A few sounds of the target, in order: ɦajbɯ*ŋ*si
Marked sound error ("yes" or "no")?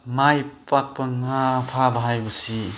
yes